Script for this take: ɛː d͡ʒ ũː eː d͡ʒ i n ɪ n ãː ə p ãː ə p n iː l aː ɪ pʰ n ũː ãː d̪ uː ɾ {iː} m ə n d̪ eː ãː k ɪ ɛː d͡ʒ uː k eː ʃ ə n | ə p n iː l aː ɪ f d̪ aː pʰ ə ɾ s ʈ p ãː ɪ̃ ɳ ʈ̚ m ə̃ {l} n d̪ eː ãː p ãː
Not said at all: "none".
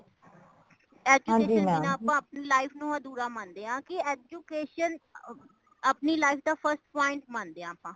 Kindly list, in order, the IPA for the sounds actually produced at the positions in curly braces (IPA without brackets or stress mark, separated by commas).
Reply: aː, none